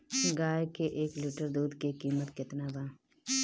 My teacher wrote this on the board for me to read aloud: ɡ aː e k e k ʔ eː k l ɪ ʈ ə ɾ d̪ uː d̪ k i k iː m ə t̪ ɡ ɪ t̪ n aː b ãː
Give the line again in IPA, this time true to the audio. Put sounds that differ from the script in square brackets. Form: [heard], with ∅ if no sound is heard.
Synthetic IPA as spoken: ɡ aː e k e [∅] ʔ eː k l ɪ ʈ ə ɾ d̪ uː d̪ k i k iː m ə t̪ [k] ɪ t̪ n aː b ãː